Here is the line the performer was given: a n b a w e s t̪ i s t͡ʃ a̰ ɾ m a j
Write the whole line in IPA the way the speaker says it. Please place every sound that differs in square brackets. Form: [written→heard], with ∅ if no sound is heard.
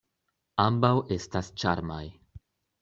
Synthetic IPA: a [n→m] b a w e s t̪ [i→a] s t͡ʃ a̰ ɾ m a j